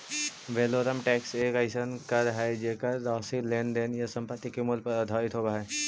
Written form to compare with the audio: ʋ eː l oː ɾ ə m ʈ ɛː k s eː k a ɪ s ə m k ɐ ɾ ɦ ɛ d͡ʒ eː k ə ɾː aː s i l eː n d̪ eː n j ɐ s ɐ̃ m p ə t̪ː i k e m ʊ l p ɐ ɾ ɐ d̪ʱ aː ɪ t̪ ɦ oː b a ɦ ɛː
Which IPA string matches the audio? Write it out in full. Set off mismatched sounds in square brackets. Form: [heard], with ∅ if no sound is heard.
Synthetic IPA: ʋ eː l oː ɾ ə m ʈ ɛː k s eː k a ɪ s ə [n] k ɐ ɾ ɦ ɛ d͡ʒ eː k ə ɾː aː s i l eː n d̪ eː n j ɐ s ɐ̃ m p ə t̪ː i k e m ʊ l p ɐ ɾ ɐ d̪ʱ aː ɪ t̪ ɦ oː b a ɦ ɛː

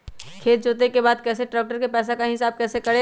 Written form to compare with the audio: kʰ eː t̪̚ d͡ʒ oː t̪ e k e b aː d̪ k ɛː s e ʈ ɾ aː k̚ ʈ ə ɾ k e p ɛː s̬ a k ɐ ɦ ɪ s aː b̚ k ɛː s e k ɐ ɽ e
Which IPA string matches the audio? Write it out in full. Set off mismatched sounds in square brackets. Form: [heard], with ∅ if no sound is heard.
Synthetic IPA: kʰ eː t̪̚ d͡ʒ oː t̪ e k e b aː d̪ k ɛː s e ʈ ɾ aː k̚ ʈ ə ɾ k e p ɛː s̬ a k [a] ɦ ɪ s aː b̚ k ɛː s e k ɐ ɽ e

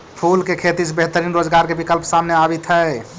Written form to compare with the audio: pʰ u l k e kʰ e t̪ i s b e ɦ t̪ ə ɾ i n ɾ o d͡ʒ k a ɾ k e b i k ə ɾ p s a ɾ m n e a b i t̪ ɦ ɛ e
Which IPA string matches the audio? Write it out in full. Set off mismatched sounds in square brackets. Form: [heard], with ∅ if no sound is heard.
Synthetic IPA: pʰ u l k e kʰ e t̪ i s b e ɦ t̪ ə ɾ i n ɾ o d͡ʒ [ɡ] a ɾ k e b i k ə [l] p s a [∅] m n e a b i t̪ ɦ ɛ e

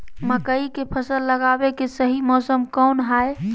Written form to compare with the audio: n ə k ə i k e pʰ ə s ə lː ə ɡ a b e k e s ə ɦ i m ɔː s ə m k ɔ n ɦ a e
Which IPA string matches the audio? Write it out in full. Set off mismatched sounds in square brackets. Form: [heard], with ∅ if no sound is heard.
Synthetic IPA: [m] ə k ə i k e pʰ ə s ə lː ə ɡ a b e k e s ə ɦ i m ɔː s ə m k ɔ n ɦ a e

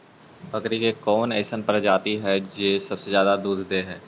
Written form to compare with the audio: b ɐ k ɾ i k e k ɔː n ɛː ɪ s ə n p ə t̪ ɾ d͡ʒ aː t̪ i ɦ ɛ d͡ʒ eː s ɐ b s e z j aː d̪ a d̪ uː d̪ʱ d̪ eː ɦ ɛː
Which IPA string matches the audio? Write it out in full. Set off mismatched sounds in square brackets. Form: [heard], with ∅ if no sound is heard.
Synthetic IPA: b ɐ k ɾ i k e k ɔː n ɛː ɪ s ə n p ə [∅] ɾ d͡ʒ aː t̪ i ɦ ɛ d͡ʒ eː s ɐ b s e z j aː d̪ a d̪ uː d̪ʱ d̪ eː ɦ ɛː

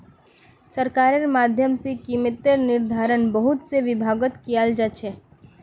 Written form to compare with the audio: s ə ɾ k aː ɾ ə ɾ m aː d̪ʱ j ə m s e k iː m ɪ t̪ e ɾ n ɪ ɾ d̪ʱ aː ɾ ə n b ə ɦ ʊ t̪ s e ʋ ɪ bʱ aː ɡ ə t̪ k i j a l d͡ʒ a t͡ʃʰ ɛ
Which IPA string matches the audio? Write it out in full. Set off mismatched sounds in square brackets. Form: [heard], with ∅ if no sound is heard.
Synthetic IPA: s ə ɾ k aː ɾ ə ɾ m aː d̪ʱ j ə m s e k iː m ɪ t̪ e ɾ n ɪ ɾ d̪ʱ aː ɾ ə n b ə ɦ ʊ t̪ s e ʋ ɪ bʱ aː ɡ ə t̪ k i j a l d͡ʒ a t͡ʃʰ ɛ

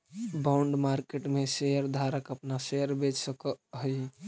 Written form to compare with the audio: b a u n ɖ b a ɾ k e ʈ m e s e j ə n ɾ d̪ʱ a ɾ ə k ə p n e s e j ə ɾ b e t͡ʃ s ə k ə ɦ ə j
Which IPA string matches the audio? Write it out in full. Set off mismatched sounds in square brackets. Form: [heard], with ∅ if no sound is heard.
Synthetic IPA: b a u [ɳ] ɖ [m] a ɾ k e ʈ m e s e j ə [∅] ɾ d̪ʱ a ɾ ə k ə p n [a] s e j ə ɾ b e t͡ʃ s ə k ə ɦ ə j

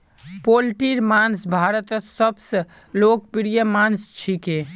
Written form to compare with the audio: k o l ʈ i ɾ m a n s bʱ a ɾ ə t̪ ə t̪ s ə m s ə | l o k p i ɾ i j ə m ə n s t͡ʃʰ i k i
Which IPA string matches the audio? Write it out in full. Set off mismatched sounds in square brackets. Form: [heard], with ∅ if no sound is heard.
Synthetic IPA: [p] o l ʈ i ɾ m a n s bʱ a ɾ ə t̪ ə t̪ s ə [b] s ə | l o k p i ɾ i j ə m [a] n s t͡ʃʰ i k [e]

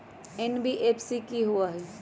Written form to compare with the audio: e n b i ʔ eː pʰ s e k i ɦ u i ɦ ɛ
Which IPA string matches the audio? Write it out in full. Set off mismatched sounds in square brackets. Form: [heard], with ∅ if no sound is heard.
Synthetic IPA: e n b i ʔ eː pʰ s [i] k i ɦ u [a] ɦ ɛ

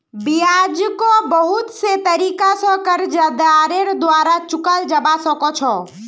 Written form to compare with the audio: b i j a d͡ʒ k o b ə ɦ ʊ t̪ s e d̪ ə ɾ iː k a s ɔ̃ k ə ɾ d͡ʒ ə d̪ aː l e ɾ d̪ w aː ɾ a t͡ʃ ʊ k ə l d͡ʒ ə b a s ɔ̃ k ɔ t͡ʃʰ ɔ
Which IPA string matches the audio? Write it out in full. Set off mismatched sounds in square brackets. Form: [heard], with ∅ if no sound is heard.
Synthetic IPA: b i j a d͡ʒ k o b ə ɦ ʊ t̪ s e [t̪] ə ɾ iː k a s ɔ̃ k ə ɾ d͡ʒ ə d̪ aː [ɾ] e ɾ d̪ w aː ɾ a t͡ʃ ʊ k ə l d͡ʒ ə b a s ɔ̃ k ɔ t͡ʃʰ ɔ

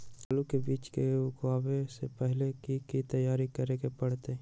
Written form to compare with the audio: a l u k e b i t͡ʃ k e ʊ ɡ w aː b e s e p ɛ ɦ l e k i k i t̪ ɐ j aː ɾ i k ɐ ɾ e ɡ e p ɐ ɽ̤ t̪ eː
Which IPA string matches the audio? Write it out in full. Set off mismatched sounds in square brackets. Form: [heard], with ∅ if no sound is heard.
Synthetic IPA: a l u k e b [iː] t͡ʃ k e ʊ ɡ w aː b e s e p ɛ ɦ l e k i k i t̪ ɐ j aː ɾ i k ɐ ɾ e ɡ e p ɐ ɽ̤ t̪ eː

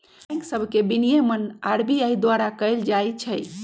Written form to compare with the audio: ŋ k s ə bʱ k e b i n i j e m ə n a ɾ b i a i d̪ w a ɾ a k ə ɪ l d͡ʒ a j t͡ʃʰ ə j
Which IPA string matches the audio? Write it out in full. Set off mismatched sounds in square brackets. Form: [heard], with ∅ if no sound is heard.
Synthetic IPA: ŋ k s ə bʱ k e b i n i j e m ə n a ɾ b i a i d̪ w a ɾ a k ə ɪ l d͡ʒ a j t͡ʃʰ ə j

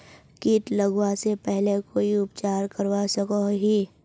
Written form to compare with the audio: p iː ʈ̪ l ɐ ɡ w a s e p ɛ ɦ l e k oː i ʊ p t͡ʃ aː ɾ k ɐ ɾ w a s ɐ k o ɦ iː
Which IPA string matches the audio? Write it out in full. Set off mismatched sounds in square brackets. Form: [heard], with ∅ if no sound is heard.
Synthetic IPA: [k] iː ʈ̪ l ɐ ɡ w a s e p ɛ ɦ l e k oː i ʊ p t͡ʃ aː ɾ k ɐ ɾ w a s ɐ k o ɦ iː

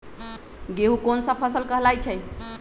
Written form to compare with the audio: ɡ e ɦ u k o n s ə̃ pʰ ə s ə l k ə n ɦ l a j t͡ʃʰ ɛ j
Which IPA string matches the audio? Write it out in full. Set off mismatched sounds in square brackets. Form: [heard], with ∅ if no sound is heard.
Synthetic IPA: ɡ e ɦ u k o n s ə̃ pʰ ə s ə l k ə [∅] ɦ l a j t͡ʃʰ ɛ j

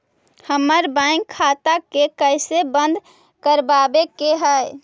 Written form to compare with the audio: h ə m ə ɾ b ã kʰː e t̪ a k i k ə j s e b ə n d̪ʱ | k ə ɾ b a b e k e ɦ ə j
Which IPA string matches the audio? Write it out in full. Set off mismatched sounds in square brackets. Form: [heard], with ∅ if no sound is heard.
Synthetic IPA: h ə m ə ɾ b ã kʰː [a] t̪ a k [e] k ə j s e b ə n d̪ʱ | k ə ɾ b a b e k e ɦ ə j

